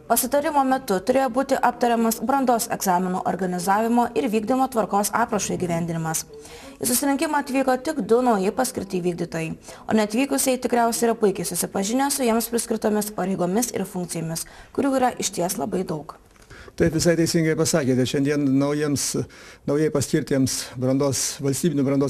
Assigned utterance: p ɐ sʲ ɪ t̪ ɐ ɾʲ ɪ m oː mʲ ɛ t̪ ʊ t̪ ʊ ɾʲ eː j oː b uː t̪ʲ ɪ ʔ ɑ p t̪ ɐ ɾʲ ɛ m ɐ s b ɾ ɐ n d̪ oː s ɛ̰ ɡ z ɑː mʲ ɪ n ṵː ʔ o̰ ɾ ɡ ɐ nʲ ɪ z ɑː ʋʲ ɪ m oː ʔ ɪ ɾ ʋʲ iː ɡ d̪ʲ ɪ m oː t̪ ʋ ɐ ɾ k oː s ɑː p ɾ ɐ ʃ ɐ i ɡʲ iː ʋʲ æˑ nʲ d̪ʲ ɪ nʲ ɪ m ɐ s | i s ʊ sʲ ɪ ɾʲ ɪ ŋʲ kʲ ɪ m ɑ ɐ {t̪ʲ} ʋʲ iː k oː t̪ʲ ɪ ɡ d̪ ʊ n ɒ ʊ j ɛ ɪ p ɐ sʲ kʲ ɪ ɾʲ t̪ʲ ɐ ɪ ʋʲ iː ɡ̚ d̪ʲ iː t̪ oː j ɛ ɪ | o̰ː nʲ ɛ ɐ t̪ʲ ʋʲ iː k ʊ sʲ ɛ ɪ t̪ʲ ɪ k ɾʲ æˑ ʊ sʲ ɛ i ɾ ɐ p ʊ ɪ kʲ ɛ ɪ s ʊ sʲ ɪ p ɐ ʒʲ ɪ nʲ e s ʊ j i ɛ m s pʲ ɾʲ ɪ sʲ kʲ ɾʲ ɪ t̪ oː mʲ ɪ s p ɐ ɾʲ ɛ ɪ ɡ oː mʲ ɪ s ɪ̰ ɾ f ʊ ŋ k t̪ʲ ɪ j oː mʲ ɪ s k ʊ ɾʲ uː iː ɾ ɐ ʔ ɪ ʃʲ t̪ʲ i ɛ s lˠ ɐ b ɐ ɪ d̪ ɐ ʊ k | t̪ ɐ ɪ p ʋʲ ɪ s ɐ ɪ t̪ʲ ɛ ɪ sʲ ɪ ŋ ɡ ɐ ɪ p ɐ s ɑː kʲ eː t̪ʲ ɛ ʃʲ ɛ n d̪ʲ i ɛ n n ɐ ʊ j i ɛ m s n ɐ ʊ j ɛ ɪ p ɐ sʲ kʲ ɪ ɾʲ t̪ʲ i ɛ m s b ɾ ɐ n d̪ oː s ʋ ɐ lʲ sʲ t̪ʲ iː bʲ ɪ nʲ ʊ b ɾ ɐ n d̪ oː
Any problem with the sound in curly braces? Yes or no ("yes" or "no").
no